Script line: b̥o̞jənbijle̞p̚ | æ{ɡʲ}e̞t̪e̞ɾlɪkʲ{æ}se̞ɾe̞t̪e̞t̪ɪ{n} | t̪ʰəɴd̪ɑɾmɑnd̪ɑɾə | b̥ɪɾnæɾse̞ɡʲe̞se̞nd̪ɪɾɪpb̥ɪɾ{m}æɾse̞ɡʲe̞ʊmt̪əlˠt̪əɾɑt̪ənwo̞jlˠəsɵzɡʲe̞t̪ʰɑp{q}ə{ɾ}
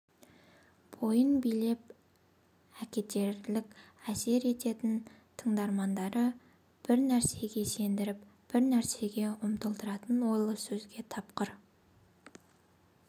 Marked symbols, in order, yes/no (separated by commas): no, yes, yes, no, yes, yes